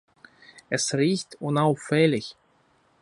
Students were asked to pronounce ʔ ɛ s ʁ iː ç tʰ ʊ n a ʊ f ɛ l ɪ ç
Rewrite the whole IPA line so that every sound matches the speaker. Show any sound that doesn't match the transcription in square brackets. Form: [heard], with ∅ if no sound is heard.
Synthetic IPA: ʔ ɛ s ʁ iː ç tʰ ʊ n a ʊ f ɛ l ɪ ç